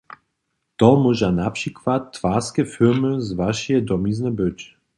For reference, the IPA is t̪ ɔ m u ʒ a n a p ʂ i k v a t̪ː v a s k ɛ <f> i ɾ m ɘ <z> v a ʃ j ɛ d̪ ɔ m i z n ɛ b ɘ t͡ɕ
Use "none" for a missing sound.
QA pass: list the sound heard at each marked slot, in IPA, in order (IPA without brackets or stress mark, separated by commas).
f, z